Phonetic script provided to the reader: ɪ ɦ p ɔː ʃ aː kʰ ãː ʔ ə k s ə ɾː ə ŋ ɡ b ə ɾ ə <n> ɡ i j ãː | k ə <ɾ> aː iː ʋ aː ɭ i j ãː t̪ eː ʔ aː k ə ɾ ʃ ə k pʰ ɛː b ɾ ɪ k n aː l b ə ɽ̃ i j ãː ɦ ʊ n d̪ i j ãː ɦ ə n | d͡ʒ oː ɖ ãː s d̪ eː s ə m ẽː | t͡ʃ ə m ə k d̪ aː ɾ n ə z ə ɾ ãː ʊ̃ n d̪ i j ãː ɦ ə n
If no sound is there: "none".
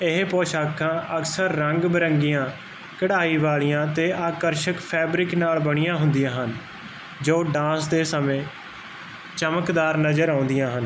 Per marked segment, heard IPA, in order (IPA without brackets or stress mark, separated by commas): ŋ, ɽ